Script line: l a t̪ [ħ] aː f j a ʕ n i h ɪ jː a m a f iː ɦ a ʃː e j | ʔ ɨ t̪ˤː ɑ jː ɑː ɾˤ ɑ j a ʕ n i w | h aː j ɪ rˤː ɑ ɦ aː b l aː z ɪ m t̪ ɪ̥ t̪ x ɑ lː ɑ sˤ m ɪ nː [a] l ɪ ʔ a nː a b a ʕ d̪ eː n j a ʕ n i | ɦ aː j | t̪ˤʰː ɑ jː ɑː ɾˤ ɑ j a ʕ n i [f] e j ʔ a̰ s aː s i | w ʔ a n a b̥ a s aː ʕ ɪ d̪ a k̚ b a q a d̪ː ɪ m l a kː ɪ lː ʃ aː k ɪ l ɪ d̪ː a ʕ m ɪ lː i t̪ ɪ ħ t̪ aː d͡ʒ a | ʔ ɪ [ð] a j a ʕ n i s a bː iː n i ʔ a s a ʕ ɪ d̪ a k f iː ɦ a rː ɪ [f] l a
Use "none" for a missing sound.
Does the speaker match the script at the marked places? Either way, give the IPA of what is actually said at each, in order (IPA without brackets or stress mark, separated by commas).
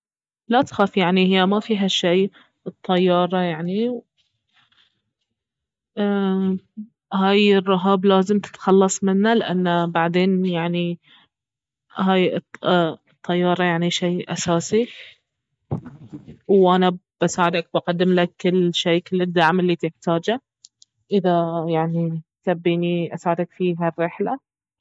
x, a, ʃ, ð, ħ